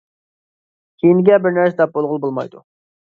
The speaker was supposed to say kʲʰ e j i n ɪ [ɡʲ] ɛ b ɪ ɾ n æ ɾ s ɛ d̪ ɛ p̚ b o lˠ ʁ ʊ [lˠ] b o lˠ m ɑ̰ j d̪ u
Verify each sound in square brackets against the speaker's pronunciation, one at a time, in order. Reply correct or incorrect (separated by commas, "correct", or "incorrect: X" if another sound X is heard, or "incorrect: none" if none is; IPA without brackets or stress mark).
correct, correct